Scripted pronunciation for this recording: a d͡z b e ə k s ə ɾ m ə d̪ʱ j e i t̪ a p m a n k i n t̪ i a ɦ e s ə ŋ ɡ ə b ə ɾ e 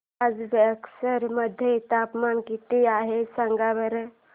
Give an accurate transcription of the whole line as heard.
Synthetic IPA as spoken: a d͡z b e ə k s ə ɾ m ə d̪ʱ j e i t̪ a p m a n k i t̪ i a ɦ e s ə ŋ ɡ a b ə ɾ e